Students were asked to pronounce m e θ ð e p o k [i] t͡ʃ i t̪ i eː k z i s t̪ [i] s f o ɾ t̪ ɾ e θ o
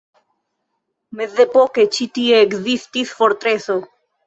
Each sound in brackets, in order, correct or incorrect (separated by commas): incorrect, correct